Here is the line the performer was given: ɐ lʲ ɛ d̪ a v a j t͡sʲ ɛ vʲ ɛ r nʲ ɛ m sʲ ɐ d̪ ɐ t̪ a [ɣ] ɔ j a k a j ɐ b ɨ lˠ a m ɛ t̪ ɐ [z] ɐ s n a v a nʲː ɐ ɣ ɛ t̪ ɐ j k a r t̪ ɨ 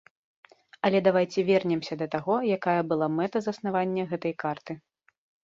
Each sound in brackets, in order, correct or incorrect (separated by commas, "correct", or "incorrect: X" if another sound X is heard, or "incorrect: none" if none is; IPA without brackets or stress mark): correct, correct